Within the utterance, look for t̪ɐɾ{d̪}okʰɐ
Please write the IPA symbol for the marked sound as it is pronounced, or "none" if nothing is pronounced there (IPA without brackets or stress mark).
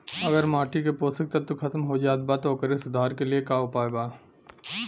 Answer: t̪